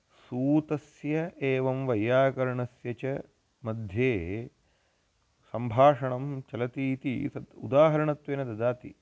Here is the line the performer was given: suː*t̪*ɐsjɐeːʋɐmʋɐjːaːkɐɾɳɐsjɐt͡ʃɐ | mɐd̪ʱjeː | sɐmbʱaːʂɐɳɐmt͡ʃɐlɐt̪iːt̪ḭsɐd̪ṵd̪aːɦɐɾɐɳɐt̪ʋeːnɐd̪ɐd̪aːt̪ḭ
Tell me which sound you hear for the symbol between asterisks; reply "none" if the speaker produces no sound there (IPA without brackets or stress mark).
t̪